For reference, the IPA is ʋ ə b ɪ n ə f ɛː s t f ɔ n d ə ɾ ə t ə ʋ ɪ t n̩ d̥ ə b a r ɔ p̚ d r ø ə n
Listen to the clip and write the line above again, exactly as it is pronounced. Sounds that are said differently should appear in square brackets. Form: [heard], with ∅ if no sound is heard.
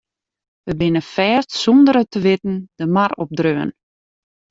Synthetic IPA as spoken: ʋ ə b ɪ n ə f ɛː s t [s] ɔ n d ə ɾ ə t ə ʋ ɪ t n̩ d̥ ə [m] a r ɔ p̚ d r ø ə n

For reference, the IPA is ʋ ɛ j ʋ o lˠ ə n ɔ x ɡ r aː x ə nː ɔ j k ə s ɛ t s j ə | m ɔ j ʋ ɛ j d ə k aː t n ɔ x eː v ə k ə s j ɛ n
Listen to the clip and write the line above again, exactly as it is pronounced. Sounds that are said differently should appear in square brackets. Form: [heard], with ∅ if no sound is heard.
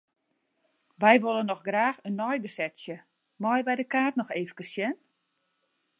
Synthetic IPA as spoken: ʋ ɛ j ʋ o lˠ ə n ɔ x ɡ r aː x ə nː ɔ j [ɡ] ə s ɛ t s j ə | m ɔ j ʋ ɛ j d ə k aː t n ɔ x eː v ə k ə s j ɛ n

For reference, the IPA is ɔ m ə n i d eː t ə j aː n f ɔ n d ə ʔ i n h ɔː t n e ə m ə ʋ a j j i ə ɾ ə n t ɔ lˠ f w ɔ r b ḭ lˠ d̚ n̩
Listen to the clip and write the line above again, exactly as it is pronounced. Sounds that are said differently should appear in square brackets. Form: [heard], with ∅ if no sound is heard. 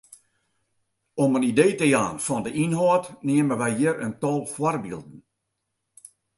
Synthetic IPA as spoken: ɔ m ə n i d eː t ə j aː n f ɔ n d ə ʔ i n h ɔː t n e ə m ə ʋ [ɛ] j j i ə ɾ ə n t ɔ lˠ f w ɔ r b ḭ lˠ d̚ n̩

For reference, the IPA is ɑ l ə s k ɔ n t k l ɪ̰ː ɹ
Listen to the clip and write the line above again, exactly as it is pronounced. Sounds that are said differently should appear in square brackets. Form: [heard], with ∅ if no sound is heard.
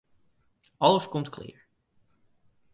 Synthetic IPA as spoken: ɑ l ə s k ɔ [m] t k l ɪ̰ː ɹ

